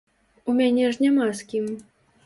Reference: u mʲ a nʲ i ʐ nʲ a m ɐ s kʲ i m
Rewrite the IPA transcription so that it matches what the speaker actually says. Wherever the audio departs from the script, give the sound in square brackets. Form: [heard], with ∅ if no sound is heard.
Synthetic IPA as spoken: u mʲ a nʲ [ɛ] ʐ nʲ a m [a] s kʲ i m